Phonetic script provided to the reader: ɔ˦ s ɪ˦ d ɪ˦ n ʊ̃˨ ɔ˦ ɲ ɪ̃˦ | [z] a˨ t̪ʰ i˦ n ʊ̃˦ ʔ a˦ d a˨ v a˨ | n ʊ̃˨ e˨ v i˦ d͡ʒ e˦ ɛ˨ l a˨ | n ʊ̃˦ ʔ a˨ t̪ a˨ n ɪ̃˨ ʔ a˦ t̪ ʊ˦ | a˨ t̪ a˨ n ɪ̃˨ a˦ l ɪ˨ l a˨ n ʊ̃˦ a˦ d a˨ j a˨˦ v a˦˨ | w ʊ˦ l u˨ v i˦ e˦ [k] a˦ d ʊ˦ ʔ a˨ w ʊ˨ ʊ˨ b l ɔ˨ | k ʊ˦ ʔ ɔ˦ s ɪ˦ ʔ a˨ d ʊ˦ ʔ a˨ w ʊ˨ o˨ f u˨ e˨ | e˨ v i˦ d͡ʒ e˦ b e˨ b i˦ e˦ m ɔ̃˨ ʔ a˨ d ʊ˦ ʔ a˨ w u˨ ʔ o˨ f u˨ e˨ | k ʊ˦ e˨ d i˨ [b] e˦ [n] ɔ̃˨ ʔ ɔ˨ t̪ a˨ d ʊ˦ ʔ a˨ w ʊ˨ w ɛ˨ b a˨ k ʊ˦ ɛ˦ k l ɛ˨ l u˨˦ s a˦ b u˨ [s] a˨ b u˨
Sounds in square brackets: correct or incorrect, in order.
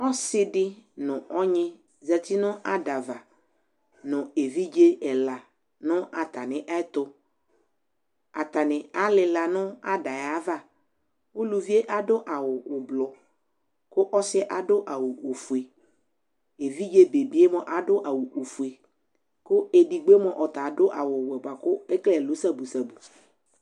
correct, incorrect: ʔ, incorrect: ɡ͡b, incorrect: m, correct

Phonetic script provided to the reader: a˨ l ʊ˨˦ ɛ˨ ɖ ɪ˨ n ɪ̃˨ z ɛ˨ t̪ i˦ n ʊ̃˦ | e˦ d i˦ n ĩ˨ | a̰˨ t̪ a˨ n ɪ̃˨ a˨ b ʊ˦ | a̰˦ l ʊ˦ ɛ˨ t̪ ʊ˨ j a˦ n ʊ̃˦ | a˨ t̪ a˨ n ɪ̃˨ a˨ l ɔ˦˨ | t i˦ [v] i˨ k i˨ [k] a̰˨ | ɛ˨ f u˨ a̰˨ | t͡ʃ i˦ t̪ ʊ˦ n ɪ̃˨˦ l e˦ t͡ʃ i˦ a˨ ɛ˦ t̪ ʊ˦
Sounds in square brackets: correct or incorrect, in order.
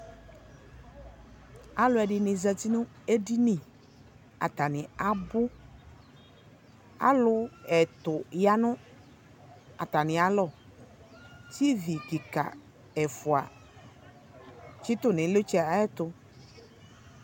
correct, correct

